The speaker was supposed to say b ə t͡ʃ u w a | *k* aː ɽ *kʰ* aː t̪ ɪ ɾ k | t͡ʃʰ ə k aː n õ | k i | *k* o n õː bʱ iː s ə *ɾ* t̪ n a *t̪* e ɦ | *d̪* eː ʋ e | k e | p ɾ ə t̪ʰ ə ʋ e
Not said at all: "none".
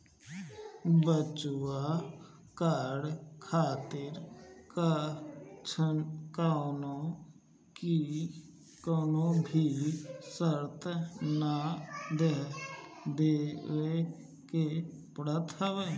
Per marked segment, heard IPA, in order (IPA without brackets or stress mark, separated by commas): k, kʰ, k, ɾ, d̪, d̪